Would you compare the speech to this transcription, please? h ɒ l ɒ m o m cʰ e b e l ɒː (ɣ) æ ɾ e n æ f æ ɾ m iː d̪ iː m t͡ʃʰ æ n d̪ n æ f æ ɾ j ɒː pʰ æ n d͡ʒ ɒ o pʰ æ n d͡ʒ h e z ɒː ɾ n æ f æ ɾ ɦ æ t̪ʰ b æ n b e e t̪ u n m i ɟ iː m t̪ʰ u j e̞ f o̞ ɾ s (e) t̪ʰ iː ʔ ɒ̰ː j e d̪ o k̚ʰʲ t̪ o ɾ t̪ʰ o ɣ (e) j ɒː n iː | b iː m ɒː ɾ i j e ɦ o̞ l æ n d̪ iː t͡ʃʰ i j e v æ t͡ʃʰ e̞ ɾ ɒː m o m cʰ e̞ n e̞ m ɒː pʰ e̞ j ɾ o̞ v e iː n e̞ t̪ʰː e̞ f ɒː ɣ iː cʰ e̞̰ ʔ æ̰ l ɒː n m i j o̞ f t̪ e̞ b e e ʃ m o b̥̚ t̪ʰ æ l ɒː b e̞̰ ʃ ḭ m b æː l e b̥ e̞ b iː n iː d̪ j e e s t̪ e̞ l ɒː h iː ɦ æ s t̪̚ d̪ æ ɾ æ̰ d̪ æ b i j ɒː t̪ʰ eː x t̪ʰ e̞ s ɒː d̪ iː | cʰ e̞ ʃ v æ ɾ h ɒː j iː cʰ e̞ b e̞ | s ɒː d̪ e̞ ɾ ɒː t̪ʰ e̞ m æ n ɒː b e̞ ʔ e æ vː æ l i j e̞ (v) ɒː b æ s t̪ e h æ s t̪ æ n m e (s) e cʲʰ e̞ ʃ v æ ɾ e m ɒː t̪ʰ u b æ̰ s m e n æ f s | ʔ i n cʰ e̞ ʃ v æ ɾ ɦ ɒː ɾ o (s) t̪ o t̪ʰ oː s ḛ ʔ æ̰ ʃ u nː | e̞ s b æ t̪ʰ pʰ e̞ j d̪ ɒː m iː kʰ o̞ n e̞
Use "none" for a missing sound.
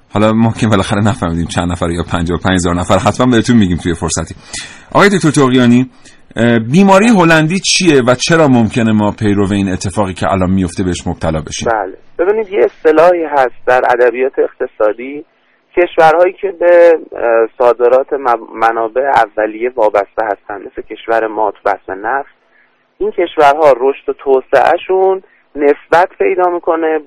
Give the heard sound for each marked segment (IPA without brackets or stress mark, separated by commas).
x, æ, i, v, s, ʃ